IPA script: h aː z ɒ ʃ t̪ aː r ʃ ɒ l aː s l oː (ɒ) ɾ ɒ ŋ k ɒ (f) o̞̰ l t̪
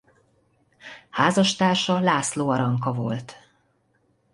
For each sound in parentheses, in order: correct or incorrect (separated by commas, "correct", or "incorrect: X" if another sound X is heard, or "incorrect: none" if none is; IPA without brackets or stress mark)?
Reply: correct, incorrect: v